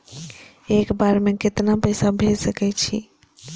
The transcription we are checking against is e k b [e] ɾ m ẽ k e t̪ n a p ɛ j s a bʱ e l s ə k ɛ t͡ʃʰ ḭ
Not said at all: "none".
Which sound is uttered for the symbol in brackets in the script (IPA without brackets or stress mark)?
a